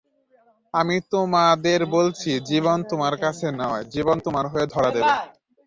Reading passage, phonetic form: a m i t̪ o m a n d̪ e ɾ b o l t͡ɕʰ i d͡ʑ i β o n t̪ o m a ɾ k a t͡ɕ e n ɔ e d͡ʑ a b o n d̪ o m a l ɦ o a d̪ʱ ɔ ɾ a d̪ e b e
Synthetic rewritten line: a m i t̪ o m a d̪ e ɾ b o l t͡ɕʰ i d͡ʑ i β o n t̪ o m a ɾ k a t͡ɕʰ e n ɔ e d͡ʑ i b o n t̪ o m a ɾ ɦ o e d̪ʱ ɔ ɾ a d̪ e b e

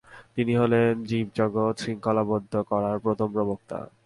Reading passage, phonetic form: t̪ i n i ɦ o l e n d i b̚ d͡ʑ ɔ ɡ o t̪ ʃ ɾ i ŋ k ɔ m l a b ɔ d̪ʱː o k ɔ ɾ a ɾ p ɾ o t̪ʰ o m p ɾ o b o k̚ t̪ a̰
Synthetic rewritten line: t̪ i n i ɦ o l e n d͡ʑ i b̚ d͡ʑ ɔ ɡ o t̪ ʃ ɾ i ŋ k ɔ l a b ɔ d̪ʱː o k ɔ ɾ a ɾ p ɾ o t̪ʰ o m p ɾ o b o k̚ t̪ a̰

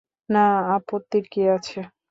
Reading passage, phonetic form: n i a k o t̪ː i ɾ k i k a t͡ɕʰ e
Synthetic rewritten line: n a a p o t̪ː i ɾ k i a t͡ɕʰ e

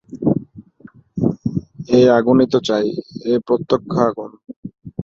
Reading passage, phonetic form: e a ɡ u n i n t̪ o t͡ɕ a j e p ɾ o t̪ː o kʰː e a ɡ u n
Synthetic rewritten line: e a ɡ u n i t̪ o t͡ɕ a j e p ɾ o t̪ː o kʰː a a ɡ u n

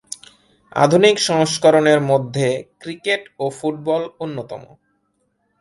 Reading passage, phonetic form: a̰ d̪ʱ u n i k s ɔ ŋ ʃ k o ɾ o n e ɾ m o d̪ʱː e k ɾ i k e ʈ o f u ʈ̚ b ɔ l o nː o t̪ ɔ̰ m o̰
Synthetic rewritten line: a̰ d̪ʱ u n i k ʃ ɔ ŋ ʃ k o ɾ o n e ɾ m o d̪ʱː e k ɾ i k e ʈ o f u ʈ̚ b ɔ l o nː o t̪ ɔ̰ m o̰

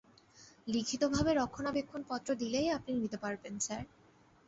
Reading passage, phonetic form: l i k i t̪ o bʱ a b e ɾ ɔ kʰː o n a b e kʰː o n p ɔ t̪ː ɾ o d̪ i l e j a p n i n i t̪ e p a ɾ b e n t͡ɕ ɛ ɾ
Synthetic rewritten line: l i kʰ i t̪ o bʱ a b e ɾ ɔ kʰː o n a b e kʰː o n p ɔ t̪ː ɾ o d̪ i l e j a p n i n i t̪ e p a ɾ b e n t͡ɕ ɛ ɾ

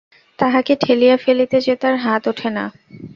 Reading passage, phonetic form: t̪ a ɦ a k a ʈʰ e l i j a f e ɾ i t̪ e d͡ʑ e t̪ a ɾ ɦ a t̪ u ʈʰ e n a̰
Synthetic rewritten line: t̪ a ɦ a k e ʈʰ e l i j a f e l i t̪ e d͡ʑ e t̪ a ɾ ɦ a t̪ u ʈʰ e n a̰

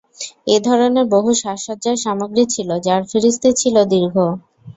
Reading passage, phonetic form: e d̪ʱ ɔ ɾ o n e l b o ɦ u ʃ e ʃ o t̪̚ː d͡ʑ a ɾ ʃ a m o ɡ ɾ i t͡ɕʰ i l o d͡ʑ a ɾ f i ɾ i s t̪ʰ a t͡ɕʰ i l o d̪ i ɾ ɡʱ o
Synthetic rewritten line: e d̪ʱ ɔ ɾ o n e ɾ b o ɦ u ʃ a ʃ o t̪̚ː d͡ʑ a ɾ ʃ a m o ɡ ɾ i t͡ɕʰ i l o d͡ʑ a ɾ f i ɾ i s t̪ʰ i t͡ɕʰ i l o d̪ i ɾ ɡʱ o

